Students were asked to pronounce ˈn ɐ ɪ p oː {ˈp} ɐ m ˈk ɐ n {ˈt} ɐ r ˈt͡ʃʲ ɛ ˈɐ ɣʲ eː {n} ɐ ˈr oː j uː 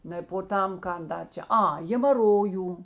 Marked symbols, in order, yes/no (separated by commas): no, no, no